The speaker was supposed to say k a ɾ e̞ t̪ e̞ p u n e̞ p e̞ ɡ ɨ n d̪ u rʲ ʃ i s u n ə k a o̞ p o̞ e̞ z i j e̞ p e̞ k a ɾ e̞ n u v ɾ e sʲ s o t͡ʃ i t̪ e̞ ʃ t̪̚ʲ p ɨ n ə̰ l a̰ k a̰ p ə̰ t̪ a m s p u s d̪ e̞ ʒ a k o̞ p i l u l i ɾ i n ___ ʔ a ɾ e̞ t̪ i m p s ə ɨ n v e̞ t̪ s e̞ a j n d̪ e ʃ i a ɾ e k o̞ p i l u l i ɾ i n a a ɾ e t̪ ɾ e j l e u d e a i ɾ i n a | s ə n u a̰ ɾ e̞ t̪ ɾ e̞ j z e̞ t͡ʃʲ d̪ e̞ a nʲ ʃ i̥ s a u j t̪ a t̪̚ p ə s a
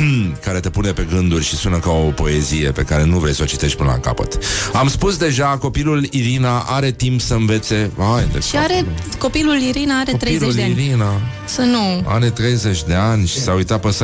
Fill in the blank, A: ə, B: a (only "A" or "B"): B